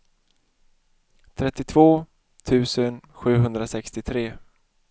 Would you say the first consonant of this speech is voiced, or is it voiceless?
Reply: voiceless